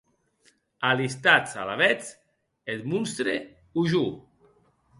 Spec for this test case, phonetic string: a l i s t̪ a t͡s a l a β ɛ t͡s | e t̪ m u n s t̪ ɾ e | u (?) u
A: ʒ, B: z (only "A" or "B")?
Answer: A